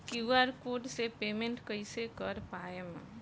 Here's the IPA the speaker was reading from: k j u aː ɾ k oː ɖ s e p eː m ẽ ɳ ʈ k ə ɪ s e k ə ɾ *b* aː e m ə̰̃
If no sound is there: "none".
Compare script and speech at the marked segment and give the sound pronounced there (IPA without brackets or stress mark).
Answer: p